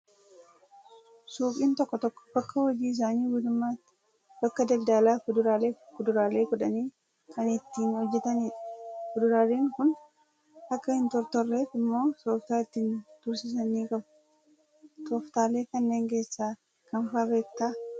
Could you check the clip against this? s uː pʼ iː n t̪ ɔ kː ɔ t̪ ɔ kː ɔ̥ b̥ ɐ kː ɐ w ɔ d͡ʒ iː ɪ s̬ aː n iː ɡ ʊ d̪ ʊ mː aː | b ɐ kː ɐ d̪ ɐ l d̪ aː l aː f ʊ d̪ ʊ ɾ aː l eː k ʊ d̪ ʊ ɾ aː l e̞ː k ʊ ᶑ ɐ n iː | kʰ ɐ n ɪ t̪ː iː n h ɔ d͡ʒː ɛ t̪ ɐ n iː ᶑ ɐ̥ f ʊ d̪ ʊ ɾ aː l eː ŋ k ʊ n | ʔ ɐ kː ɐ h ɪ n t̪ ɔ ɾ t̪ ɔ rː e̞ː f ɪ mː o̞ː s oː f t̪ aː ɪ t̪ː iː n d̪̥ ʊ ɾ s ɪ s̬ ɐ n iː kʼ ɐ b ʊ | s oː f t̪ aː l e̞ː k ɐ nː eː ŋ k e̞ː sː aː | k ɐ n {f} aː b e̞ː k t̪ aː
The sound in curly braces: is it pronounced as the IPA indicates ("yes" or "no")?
yes